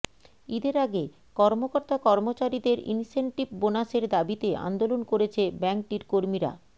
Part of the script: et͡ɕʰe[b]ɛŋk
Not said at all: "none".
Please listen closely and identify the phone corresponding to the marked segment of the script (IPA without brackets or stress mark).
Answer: b